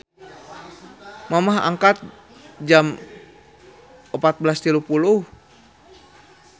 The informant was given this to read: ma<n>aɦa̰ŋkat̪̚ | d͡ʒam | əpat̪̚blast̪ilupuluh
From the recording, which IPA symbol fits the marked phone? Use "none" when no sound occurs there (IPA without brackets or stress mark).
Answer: m